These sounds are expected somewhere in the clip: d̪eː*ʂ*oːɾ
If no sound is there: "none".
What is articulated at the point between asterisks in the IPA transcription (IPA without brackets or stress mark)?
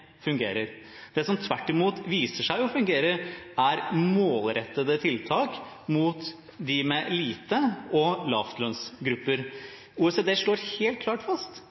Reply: ʂ